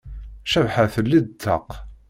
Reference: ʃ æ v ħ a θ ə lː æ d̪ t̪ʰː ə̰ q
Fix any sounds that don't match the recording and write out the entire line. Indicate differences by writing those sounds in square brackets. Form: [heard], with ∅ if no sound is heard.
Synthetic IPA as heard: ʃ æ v ħ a θ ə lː [i] d̪ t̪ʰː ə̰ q

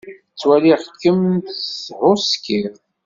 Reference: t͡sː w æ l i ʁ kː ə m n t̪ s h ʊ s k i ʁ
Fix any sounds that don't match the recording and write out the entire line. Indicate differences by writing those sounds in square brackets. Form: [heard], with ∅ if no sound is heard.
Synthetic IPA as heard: t͡sː w æ l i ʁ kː ə m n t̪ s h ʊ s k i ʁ

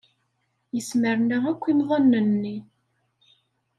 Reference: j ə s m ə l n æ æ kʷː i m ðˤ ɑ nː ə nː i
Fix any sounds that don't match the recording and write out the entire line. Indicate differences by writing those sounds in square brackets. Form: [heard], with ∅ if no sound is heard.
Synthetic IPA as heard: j ə s m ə [ɾ] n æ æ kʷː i m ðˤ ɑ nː ə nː i

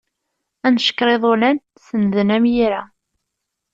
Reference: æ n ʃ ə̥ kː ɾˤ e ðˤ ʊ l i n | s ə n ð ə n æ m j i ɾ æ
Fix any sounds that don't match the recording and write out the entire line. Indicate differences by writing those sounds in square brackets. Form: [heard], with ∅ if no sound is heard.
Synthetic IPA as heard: æ n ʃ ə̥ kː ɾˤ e ðˤ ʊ l [æ] n | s ə n ð ə n æ m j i ɾ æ

